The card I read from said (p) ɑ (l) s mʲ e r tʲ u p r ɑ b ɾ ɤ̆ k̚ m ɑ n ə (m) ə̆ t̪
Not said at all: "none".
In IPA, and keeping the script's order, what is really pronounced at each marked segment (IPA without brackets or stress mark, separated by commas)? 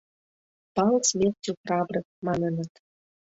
p, l, n